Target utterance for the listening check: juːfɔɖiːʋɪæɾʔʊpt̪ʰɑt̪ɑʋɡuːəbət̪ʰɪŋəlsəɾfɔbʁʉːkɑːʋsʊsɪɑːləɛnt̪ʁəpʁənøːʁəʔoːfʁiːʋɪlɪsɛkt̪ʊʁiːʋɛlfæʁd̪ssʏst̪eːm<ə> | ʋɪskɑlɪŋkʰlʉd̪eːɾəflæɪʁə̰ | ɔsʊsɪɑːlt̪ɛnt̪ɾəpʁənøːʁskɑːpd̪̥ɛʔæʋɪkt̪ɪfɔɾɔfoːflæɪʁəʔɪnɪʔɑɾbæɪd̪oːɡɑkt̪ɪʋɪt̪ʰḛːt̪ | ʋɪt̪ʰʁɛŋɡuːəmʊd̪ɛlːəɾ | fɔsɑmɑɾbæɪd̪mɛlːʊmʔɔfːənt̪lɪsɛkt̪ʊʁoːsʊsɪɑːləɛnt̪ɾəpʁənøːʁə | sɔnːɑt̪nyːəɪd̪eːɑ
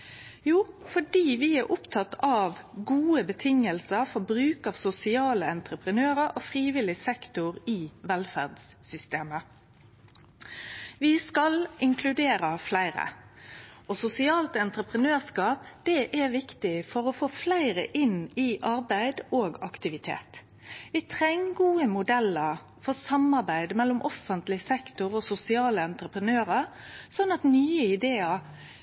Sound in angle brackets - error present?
no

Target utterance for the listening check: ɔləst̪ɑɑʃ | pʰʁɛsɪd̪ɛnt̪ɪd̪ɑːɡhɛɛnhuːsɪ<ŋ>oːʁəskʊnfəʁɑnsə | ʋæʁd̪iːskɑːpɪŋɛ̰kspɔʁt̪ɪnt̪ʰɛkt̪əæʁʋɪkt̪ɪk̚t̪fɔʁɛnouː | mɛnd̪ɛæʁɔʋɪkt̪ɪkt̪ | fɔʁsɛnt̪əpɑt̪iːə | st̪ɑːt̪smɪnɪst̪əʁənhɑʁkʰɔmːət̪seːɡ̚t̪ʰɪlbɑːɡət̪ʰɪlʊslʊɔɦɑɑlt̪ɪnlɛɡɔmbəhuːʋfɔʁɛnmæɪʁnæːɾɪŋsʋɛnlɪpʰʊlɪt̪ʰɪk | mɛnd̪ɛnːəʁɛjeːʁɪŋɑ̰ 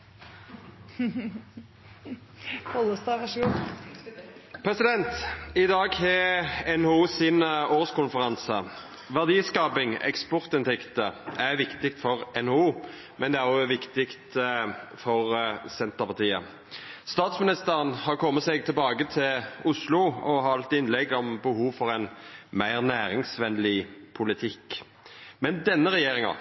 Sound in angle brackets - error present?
yes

